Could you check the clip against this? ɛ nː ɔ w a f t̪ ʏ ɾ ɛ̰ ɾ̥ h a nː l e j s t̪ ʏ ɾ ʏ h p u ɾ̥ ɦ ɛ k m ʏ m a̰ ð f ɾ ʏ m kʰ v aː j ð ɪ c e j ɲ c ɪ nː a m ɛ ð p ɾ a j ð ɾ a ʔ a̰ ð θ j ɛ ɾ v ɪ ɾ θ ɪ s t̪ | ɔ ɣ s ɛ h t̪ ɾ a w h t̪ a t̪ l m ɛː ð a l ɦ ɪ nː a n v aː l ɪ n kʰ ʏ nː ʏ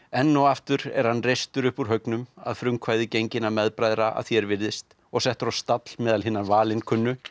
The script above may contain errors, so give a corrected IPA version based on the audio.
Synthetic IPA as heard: ɛ nː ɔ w a f t̪ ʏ ɾ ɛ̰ ɾ̥ h a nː r e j s t̪ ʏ ɾ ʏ h p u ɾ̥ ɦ œ k n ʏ m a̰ ð f ɾ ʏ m kʰ v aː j ð ɪ c e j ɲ c ɪ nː a m ɛ ð p ɾ a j ð ɾ a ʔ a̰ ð θ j ɛ ɾ v ɪ ɾ ð ɪ s t̪ | ɔ ɣ s ɛ h t̪ ɾ a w s t̪ a t̪ l m ɛː ð a l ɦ ɪ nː a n v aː l ɪ n kʰ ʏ nː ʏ